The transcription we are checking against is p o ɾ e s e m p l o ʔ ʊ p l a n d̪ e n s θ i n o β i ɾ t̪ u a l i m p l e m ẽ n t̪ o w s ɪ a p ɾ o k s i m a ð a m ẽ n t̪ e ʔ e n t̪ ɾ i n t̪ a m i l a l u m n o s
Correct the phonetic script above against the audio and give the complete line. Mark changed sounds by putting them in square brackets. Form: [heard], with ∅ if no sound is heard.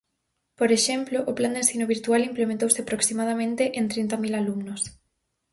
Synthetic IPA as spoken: p o ɾ e [ʃ] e m p l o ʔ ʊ p l a n d̪ e n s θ i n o β i ɾ t̪ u a l i m p l e m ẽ n t̪ o w s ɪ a p ɾ o k s i m a ð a m ẽ n t̪ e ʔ e n t̪ ɾ i n t̪ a m i l a l u m n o s

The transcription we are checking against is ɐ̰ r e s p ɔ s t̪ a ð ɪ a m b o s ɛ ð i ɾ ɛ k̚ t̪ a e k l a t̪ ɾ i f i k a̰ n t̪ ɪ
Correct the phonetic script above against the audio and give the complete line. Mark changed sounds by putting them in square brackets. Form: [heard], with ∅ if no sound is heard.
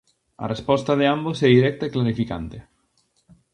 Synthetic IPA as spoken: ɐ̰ r e s p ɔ s t̪ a ð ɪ a m b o s ɛ ð i ɾ ɛ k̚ t̪ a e k l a [∅] ɾ i f i k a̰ n t̪ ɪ

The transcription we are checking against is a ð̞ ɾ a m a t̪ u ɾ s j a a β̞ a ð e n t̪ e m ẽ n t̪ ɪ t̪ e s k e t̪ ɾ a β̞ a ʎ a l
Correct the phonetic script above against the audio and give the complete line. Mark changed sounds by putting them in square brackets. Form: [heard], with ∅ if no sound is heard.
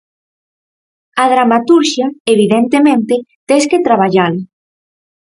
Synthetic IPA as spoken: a ð̞ ɾ a m a t̪ u ɾ [ʃ] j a [e] β̞ [i] ð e n t̪ e m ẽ n t̪ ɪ t̪ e s k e t̪ ɾ a β̞ a ʎ a l

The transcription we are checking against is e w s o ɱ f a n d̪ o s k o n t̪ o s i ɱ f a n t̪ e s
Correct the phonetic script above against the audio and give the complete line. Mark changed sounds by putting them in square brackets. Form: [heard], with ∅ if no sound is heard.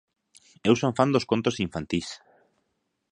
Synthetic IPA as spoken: e w s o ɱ f a n d̪ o s k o n t̪ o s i ɱ f a n t̪ [i] s

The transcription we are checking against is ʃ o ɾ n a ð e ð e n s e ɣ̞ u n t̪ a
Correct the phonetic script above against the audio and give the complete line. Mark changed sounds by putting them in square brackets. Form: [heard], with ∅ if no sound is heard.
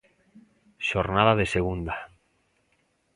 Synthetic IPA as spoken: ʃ o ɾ n a ð [a] ð e [∅] s e ɣ̞ u n [d̪] a

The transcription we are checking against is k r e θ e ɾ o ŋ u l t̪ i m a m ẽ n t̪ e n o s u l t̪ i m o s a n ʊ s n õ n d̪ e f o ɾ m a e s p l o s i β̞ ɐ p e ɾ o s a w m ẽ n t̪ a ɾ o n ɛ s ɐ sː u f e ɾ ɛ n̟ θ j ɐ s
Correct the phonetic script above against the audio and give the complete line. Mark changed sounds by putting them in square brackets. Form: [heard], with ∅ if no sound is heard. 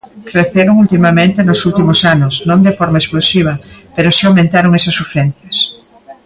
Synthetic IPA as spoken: k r e θ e ɾ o ŋ u l t̪ i m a m ẽ n t̪ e n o s u l t̪ i m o s a n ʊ s n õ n d̪ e f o ɾ m a e s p l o s i β̞ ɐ p e ɾ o s a w m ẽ n t̪ a ɾ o [ŋ] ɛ s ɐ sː u f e ɾ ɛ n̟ θ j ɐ s

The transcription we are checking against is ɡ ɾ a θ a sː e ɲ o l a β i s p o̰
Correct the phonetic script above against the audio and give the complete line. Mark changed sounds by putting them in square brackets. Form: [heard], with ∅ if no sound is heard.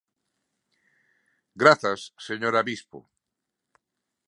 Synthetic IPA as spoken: ɡ ɾ a θ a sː e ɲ o [ɾ] a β i s p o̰

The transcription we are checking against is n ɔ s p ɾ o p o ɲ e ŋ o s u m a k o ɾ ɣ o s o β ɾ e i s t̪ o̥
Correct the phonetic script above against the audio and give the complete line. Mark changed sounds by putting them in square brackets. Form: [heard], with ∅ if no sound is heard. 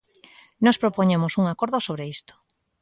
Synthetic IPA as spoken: n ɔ s p ɾ o p o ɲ e [m] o s u [ŋ] a k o ɾ [ð] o s o β ɾ e i s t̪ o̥

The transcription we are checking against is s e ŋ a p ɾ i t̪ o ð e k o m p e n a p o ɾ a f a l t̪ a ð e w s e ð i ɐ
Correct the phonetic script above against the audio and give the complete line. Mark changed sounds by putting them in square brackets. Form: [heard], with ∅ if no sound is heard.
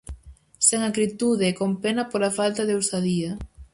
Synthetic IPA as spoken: s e ŋ a [k] ɾ i t̪ [u] ð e k o m p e n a p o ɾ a f a l t̪ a ð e w s [a] ð i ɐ

